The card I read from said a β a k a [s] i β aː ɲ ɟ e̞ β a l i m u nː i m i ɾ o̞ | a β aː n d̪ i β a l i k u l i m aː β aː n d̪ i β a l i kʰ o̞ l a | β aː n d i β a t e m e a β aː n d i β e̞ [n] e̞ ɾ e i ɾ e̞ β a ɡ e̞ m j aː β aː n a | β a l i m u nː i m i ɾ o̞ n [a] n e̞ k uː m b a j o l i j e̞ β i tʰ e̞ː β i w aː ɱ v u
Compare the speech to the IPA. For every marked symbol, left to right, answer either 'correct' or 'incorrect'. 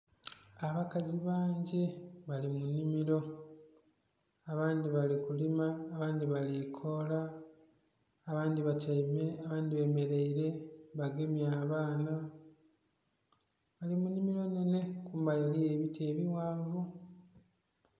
incorrect, incorrect, incorrect

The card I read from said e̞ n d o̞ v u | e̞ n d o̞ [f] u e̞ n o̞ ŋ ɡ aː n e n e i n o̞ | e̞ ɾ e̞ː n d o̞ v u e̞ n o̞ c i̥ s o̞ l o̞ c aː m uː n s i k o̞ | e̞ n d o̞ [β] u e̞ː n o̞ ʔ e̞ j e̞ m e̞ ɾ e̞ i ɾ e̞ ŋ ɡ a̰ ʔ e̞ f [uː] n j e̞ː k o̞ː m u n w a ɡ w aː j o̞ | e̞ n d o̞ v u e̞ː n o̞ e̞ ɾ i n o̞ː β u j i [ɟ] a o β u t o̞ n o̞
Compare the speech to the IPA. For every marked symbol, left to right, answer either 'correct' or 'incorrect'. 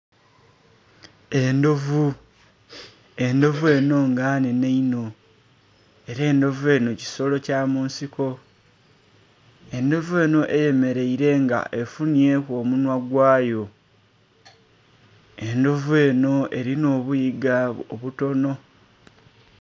incorrect, incorrect, incorrect, incorrect

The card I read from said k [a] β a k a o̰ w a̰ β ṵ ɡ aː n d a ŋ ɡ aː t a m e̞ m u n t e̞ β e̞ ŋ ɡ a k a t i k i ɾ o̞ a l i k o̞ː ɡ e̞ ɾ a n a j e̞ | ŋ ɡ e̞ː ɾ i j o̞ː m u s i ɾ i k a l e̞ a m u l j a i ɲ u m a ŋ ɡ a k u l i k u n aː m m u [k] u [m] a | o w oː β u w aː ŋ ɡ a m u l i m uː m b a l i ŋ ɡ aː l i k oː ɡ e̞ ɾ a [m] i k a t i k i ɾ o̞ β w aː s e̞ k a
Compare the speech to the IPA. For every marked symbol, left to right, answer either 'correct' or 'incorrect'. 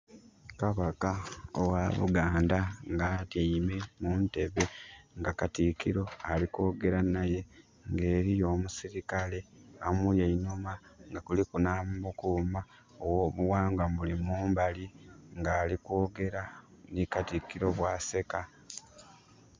correct, correct, correct, incorrect

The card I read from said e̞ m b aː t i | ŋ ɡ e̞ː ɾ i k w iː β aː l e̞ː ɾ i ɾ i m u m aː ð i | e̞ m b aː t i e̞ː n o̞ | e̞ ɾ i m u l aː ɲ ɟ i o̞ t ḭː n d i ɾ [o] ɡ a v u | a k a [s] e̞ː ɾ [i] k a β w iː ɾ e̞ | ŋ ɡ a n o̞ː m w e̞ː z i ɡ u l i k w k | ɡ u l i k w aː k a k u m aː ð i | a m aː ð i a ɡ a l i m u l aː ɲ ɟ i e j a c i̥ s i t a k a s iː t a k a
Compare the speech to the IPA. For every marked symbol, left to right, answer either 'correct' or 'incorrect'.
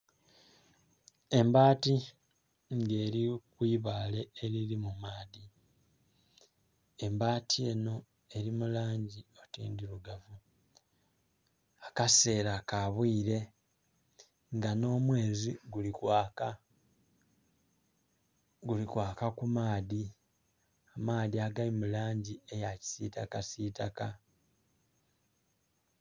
incorrect, correct, incorrect

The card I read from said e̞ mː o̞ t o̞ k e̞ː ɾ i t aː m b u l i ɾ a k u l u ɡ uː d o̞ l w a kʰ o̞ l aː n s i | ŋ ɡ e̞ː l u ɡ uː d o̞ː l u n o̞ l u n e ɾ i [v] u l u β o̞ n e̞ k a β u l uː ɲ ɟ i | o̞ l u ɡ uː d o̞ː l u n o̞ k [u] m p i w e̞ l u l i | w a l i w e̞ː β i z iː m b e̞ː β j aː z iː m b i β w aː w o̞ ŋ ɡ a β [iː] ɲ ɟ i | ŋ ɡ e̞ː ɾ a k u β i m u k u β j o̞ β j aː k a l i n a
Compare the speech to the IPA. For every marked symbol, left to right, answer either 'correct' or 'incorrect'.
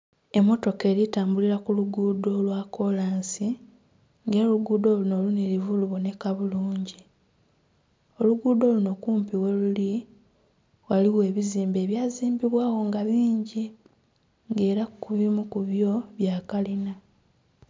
correct, incorrect, correct

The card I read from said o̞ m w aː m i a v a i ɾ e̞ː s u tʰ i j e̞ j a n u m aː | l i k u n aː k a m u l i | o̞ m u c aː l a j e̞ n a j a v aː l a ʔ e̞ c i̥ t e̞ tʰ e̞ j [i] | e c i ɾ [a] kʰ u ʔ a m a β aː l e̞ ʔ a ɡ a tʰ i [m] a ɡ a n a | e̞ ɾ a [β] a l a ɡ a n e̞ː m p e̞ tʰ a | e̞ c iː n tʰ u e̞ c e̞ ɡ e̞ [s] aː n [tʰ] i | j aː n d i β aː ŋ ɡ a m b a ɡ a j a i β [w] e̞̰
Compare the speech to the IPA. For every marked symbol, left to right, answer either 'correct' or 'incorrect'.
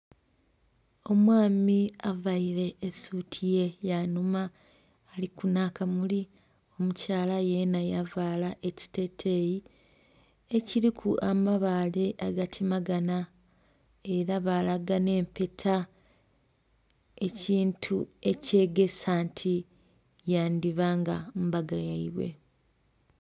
correct, incorrect, correct, correct, correct, correct, correct

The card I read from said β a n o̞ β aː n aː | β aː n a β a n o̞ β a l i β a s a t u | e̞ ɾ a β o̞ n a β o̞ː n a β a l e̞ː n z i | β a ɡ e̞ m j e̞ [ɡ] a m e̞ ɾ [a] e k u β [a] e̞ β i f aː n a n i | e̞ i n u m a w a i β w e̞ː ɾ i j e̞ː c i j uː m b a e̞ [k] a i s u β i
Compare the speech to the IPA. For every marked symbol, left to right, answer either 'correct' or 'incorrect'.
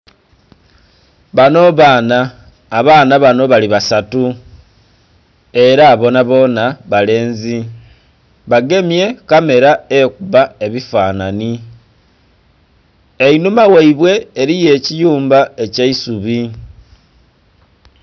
incorrect, correct, correct, incorrect

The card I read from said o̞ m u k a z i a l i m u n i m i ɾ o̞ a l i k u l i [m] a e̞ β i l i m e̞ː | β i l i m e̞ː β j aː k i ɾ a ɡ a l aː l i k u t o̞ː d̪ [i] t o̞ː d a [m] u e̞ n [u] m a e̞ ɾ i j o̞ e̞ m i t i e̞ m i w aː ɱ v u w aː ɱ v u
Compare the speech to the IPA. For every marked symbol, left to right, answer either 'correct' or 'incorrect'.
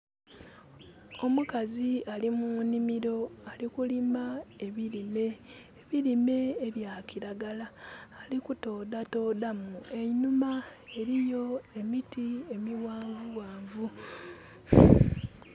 correct, incorrect, correct, correct

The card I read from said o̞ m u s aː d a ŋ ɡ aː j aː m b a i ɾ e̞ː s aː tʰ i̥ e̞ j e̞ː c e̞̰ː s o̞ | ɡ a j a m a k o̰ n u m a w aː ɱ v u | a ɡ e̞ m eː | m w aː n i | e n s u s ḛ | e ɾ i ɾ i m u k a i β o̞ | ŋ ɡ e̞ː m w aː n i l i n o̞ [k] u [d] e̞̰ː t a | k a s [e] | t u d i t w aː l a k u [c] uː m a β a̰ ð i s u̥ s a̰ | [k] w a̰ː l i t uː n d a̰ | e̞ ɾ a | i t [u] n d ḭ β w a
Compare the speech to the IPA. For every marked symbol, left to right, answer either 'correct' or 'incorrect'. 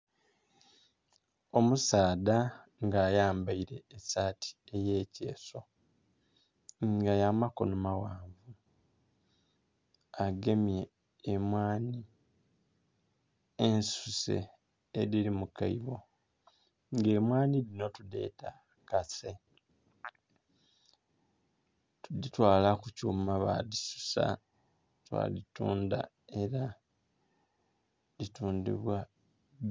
incorrect, correct, correct, correct, incorrect, incorrect

